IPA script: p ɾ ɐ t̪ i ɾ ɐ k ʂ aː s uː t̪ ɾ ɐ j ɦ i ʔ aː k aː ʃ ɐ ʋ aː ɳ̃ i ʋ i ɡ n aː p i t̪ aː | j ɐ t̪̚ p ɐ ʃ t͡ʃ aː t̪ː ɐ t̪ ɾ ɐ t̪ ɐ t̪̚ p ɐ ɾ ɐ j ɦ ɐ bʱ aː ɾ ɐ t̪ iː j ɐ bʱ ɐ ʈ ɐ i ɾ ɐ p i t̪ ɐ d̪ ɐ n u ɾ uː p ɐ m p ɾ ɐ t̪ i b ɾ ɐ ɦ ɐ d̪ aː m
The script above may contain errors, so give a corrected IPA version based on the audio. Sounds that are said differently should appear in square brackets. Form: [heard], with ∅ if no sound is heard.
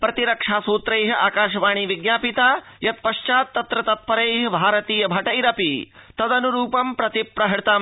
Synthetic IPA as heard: p ɾ ɐ t̪ i ɾ ɐ k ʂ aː s uː t̪ ɾ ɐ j ɦ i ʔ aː k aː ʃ ɐ ʋ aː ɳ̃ i ʋ i ɡ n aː p i t̪ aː | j ɐ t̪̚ p ɐ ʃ t͡ʃ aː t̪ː ɐ t̪ ɾ ɐ t̪ ɐ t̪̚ p ɐ ɾ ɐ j ɦ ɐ bʱ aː ɾ ɐ t̪ iː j ɐ bʱ ɐ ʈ ɐ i ɾ ɐ p i t̪ ɐ d̪ ɐ n u ɾ uː p ɐ m p ɾ ɐ t̪ i [p] ɾ ɐ ɦ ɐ [t̪] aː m